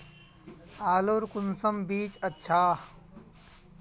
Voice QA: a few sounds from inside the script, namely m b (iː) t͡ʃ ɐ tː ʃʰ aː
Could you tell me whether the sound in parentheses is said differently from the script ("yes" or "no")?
no